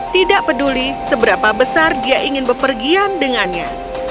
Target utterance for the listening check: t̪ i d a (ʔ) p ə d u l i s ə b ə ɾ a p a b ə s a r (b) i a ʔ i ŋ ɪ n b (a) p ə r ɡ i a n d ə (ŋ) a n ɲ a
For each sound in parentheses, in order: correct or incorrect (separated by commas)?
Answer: correct, incorrect, incorrect, correct